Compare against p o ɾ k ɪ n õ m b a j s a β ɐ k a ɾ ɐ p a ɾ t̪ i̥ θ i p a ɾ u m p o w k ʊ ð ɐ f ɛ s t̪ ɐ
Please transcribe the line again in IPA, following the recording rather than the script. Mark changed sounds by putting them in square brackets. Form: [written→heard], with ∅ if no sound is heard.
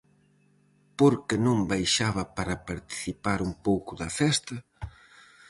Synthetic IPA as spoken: p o ɾ k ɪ n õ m b a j [s→ʃ] a β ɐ [k→p] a ɾ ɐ p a ɾ t̪ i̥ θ i p a ɾ u m p o w k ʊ ð ɐ f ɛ s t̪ ɐ

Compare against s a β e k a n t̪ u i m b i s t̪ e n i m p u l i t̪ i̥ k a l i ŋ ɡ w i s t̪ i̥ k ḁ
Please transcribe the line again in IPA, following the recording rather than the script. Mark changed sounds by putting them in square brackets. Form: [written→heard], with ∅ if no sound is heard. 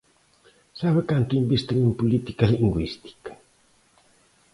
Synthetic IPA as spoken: s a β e k a n t̪ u i m b i s t̪ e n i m p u l i t̪ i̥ k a l i ŋ ɡ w i s t̪ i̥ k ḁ

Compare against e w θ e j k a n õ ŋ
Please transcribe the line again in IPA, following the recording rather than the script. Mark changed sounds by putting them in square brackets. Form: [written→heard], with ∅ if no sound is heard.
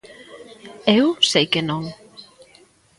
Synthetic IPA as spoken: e w [θ→s] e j k [a→e] n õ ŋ

